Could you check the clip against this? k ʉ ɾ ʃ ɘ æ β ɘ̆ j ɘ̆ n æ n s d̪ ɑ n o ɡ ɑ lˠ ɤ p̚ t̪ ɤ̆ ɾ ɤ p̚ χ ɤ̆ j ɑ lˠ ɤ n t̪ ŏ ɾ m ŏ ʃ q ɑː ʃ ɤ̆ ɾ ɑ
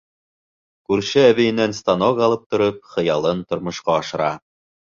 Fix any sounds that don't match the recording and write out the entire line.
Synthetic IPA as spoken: k ʉ ɾ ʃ ɘ æ β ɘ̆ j ɘ̆ n æ n s t̪ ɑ n o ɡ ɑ lˠ ɤ p̚ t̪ ŏ ɾ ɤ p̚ χ ɤ̆ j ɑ lˠ ɤ n t̪ ŏ ɾ m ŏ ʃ q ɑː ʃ ɤ̆ ɾ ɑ